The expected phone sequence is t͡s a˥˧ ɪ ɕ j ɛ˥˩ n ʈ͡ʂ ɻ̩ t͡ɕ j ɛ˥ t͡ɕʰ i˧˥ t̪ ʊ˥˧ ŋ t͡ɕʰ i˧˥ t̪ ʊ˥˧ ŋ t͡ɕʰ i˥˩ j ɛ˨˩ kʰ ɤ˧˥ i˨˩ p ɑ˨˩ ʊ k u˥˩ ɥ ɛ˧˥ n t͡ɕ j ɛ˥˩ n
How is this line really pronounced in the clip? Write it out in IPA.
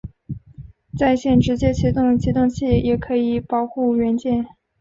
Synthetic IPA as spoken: t͡s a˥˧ ɪ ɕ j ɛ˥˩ n ʈ͡ʂ ɻ̩ t͡ɕ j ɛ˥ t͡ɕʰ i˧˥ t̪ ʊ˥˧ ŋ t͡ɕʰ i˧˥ t̪ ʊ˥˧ ŋ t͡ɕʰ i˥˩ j ɛ˨˩ kʰ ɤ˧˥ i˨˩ p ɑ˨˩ ʊ x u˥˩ ɥ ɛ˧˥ n t͡ɕ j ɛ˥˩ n